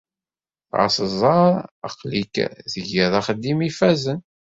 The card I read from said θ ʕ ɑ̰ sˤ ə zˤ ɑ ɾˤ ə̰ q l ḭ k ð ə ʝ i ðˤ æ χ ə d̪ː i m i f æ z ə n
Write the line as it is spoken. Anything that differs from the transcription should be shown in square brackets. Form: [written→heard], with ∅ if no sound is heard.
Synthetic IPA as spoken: θ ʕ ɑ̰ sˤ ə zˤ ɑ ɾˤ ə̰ q l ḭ k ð ə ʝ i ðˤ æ χ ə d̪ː i m i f æ z ə n